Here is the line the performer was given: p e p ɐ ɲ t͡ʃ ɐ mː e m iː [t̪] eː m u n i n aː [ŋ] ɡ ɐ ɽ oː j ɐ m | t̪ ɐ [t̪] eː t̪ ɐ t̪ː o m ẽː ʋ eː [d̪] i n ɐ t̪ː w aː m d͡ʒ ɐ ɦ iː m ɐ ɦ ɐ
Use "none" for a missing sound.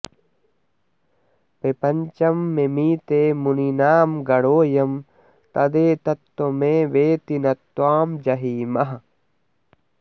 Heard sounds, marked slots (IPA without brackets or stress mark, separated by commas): t̪, m, d̪, t̪